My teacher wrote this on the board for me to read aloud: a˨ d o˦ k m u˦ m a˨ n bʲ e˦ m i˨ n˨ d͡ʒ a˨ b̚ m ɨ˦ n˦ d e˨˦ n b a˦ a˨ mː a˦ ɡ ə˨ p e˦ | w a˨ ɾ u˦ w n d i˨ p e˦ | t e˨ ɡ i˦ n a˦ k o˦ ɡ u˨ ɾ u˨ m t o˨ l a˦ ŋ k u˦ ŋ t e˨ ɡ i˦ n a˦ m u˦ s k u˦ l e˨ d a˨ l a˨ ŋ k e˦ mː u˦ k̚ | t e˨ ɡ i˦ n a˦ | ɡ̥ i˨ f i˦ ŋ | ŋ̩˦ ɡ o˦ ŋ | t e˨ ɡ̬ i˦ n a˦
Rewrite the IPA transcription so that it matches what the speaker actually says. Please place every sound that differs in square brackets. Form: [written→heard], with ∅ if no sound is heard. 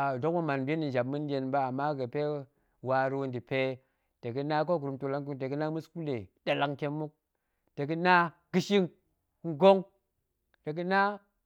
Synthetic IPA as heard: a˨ d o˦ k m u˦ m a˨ n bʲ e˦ [m→n] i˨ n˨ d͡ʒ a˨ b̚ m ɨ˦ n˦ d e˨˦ n b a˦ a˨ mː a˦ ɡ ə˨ p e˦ | w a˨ ɾ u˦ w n d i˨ p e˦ | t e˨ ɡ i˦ n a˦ k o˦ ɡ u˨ ɾ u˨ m t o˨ l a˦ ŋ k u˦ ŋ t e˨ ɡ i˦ n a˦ m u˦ s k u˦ l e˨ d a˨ l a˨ ŋ k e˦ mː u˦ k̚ | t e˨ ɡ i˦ n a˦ | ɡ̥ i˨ [f→ʃ] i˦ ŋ | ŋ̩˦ ɡ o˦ ŋ | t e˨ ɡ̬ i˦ n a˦